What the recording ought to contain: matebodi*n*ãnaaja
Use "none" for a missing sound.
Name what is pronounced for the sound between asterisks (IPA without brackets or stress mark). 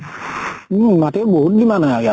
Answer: m